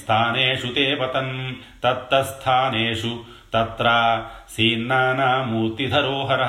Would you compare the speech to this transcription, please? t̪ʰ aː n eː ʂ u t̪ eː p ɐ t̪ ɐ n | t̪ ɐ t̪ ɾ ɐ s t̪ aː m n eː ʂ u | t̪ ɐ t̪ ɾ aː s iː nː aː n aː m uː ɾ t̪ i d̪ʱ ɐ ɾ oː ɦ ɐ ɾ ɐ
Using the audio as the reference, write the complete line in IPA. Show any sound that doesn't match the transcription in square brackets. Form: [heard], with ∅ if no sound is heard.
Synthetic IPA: t̪ʰ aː n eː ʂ u t̪ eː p ɐ t̪ ɐ n | t̪ ɐ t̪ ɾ ɐ s [t̪ʰ] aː [∅] n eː ʂ u | t̪ ɐ t̪ ɾ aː s iː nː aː n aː m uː ɾ t̪ i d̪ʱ ɐ ɾ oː ɦ ɐ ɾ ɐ